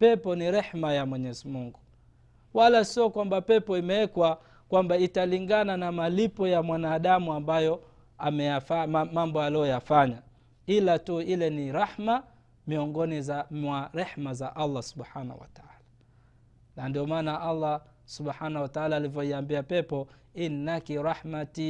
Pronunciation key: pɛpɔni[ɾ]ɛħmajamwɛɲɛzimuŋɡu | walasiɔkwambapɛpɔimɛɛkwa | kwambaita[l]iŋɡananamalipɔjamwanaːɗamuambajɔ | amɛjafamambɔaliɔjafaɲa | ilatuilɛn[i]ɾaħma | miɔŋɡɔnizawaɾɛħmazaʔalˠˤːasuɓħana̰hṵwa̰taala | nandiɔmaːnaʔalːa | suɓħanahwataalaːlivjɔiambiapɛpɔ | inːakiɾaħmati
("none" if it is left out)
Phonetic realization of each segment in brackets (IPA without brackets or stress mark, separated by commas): ɾ, l, i